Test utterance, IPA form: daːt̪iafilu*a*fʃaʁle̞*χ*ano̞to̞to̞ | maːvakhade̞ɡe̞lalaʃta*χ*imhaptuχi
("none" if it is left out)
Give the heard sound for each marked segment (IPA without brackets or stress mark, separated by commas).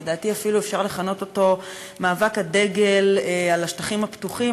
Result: e, χ, χ